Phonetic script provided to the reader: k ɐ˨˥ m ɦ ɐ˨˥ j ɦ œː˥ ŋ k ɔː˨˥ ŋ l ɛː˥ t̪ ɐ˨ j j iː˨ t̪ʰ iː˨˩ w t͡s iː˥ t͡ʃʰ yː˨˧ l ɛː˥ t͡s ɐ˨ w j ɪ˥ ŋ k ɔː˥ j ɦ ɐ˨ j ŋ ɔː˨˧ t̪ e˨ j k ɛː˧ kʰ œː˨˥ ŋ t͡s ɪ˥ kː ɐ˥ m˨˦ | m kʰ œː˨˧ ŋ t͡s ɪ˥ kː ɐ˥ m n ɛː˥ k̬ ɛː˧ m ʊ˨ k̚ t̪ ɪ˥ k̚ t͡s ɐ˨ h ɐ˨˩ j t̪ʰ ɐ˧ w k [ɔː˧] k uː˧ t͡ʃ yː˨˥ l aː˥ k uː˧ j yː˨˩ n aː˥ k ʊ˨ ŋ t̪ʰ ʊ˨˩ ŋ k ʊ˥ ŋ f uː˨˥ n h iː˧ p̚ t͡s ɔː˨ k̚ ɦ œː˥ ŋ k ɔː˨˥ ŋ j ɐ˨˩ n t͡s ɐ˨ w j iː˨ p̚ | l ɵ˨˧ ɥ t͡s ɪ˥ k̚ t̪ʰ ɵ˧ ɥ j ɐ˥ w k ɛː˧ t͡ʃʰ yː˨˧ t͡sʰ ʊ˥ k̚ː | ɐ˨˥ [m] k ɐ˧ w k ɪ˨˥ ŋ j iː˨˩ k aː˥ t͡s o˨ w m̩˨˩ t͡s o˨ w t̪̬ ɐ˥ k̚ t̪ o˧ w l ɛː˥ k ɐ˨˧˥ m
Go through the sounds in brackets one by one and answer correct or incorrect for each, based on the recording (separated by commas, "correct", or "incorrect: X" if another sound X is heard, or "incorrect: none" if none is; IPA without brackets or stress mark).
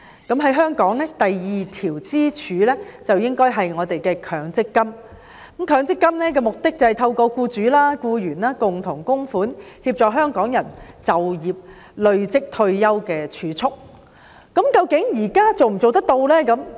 correct, correct